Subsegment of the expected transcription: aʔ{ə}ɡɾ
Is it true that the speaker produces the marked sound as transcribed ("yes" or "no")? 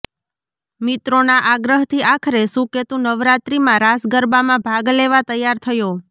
no